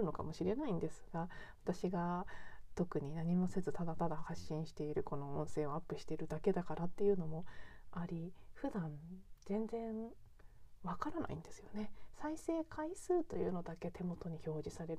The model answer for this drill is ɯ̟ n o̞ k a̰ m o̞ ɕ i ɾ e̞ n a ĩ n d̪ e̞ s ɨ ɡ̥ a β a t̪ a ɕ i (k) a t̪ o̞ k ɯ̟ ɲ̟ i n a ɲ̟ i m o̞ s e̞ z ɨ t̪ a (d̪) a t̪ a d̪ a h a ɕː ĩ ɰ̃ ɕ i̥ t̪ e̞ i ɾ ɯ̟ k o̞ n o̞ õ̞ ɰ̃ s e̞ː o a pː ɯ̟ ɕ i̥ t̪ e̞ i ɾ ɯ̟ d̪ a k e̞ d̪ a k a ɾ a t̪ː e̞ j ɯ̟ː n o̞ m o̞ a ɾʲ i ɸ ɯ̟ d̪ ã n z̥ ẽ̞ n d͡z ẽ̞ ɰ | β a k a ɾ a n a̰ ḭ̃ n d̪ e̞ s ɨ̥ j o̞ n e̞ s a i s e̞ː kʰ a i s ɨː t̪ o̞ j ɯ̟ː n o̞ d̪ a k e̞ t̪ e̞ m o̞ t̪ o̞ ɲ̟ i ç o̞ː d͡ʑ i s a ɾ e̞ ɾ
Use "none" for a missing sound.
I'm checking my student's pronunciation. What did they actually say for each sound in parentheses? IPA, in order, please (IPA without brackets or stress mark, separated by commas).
ɡ, d̪